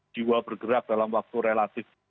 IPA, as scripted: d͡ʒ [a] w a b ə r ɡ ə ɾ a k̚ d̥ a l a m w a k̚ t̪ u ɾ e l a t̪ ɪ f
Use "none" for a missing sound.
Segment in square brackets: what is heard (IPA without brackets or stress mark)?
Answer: i